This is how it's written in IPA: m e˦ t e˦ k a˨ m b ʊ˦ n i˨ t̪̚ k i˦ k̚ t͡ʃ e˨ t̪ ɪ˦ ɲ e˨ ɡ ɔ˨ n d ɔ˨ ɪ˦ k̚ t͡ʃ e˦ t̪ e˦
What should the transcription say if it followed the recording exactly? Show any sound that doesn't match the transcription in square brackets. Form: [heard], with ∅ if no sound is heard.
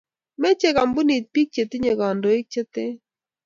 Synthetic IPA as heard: m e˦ [t͡ʃ] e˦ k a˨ m b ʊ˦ n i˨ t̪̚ [p] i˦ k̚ t͡ʃ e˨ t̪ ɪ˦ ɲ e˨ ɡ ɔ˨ n d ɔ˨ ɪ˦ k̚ t͡ʃ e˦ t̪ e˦

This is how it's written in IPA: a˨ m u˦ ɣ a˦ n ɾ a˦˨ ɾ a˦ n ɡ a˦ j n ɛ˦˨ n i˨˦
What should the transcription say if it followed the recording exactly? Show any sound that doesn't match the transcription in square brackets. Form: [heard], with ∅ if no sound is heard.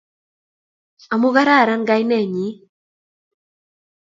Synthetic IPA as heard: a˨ m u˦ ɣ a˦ [∅] ɾ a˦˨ ɾ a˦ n ɡ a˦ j n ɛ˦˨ [ɲ] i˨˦

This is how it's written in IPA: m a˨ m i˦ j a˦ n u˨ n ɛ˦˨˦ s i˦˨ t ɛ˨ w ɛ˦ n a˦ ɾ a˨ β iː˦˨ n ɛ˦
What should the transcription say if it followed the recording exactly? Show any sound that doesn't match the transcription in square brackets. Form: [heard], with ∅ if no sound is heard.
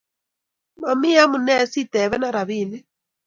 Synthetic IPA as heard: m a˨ m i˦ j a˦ [m] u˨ n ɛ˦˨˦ s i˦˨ t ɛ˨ [β] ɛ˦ n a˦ ɾ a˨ β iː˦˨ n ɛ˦

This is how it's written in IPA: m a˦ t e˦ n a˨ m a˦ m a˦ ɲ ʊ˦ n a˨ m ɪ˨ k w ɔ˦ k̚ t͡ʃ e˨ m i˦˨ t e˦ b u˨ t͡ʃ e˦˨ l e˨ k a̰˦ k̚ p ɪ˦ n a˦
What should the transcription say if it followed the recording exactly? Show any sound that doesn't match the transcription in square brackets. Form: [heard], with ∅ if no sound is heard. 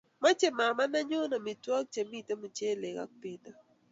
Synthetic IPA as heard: m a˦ [t͡ʃ] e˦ [m] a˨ m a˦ [n] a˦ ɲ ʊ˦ n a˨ m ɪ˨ [t] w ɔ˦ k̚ t͡ʃ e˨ m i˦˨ t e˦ [m] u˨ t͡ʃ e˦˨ l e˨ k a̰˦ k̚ p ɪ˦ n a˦

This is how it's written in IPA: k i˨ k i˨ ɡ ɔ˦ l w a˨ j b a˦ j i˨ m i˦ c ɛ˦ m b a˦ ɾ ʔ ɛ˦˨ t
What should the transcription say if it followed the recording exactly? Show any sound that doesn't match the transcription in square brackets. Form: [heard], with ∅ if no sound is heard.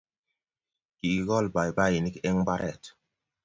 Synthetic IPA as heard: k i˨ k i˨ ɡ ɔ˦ l [b] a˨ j b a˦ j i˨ [n] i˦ [k] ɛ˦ [ŋ] b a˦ ɾ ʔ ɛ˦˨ t

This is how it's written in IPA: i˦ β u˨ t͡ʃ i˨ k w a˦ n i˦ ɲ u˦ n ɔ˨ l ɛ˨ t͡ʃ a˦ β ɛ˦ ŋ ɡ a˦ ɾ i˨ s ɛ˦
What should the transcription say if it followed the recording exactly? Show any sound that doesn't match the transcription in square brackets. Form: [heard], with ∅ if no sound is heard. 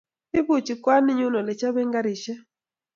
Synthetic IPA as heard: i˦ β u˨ t͡ʃ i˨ k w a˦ n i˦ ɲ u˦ n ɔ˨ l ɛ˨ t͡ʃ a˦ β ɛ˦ ŋ ɡ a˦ ɾ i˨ [ʃ] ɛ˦

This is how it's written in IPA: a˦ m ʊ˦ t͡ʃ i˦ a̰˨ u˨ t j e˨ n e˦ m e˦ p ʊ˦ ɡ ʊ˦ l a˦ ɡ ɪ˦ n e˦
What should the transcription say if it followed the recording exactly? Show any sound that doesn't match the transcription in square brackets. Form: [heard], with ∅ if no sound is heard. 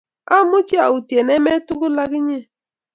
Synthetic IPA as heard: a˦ m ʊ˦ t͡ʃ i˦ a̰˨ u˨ t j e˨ n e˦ m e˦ [t] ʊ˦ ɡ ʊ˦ l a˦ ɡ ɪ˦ [ɲ] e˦

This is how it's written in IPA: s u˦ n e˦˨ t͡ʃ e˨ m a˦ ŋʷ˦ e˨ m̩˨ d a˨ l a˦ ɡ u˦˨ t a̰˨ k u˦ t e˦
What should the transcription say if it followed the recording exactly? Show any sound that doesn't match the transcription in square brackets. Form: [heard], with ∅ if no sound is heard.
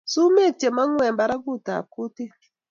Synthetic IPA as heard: s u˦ [m] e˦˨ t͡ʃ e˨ m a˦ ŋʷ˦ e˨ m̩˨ [b] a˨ [ɾ] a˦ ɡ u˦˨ t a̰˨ k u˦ t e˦

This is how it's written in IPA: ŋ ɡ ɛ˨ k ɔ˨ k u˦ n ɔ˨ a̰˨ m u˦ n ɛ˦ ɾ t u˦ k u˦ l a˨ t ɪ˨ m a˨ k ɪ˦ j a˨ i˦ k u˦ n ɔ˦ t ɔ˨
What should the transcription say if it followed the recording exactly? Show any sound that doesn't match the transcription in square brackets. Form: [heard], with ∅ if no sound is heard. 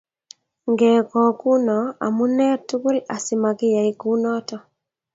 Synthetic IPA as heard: ŋ ɡ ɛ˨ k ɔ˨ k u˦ n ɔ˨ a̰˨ m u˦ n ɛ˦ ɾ t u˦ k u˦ l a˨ [s] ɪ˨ m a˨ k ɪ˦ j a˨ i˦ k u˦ n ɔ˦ t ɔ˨

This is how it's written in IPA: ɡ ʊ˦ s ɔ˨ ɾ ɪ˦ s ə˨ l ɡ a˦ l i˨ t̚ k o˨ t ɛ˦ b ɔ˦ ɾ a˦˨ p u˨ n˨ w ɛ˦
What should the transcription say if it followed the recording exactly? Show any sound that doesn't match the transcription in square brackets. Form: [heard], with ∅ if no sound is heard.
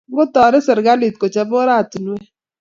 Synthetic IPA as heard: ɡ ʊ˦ [t] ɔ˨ ɾ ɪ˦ s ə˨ [ɾ] ɡ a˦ l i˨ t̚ k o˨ [t͡ʃ] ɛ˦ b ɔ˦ ɾ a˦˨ [t] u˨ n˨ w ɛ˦

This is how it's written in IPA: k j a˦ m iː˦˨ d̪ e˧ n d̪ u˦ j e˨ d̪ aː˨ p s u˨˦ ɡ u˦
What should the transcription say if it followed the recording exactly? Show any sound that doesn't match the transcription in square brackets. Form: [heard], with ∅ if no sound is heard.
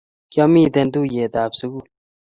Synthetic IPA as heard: k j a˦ m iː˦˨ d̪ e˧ n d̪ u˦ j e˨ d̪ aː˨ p s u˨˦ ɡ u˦

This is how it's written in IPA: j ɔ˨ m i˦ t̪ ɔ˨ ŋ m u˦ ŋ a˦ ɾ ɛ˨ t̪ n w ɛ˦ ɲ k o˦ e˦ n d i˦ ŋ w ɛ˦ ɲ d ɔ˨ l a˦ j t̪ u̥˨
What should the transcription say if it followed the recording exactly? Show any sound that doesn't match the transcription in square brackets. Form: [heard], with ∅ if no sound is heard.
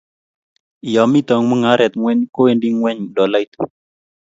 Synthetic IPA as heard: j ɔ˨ m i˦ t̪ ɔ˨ ŋ m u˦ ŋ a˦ ɾ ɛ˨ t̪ [ŋ] w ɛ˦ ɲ k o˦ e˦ n d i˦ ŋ w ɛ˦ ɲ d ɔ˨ l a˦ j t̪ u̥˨

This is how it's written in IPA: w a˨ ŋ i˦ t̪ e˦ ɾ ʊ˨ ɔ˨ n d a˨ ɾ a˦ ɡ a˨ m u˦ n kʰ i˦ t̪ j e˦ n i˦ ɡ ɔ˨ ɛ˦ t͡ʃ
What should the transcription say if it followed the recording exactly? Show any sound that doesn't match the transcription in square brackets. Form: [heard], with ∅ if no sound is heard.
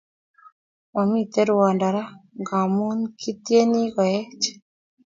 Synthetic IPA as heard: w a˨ [m] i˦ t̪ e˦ ɾ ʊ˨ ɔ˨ n d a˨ ɾ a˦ ɡ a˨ m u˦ n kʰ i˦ t̪ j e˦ n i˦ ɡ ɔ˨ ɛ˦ t͡ʃ

